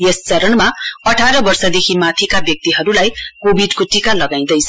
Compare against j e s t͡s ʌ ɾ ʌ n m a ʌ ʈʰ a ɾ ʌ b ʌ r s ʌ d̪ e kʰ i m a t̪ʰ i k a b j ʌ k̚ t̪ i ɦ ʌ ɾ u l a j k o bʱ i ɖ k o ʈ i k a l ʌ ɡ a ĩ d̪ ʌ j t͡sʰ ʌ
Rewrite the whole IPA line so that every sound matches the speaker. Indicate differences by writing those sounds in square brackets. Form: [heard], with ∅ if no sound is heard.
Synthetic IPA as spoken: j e s t͡s ʌ ɾ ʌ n m a ʌ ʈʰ a ɾ ʌ b ʌ r s ʌ d̪ e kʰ i m a t̪ʰ i k a b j ʌ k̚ t̪ i ɦ ʌ ɾ u l a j k o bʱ i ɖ k o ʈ i k a l ʌ ɡ a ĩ d̪ ʌ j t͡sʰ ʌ